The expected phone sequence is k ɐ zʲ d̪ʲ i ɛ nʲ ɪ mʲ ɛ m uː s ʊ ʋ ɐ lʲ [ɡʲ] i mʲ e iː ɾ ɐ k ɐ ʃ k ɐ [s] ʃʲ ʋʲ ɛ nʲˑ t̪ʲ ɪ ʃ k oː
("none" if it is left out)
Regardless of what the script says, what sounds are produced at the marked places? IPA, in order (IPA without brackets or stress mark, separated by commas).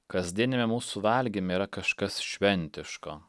ɡʲ, s